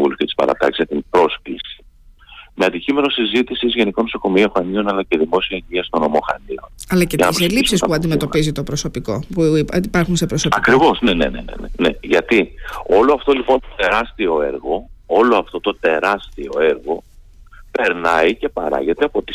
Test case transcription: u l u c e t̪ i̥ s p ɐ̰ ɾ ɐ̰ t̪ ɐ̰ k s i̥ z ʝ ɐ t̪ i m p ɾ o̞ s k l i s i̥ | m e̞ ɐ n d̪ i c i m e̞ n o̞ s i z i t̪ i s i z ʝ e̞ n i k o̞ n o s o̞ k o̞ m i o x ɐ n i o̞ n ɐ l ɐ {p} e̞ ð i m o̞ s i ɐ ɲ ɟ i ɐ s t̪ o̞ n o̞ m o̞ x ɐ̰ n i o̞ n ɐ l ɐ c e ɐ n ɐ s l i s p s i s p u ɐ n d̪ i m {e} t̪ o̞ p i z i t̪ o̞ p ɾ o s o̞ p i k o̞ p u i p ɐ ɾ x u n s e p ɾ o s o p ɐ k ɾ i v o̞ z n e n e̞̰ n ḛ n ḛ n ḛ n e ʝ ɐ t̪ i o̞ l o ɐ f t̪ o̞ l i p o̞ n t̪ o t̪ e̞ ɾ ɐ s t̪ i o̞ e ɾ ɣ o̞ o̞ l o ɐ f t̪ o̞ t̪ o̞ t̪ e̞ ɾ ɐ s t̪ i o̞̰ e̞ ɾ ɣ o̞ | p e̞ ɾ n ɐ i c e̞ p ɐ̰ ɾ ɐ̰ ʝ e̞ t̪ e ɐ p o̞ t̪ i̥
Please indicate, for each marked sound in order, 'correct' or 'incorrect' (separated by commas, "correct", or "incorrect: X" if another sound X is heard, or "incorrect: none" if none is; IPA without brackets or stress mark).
incorrect: c, correct